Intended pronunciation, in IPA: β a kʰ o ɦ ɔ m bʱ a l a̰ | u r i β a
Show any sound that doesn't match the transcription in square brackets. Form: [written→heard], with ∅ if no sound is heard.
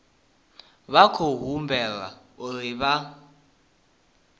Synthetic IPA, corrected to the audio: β a kʰ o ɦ [ɔ→u] m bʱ [a→ɛ] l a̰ | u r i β a